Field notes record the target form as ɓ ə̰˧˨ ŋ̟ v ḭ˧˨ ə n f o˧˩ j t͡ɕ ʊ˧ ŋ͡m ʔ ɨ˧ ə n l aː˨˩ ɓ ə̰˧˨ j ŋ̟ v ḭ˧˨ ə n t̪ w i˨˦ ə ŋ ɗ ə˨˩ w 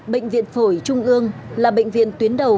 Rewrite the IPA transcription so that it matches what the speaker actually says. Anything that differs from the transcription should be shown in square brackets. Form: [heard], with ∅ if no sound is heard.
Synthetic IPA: ɓ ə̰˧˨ ŋ̟ v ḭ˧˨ ə n f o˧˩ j t͡ɕ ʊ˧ ŋ͡m ʔ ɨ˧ ə [ŋ] l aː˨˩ ɓ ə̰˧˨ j ŋ̟ v ḭ˧˨ ə n t̪ w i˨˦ ə [n] ɗ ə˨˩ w